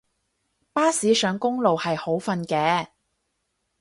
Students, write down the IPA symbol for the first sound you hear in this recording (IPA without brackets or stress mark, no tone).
p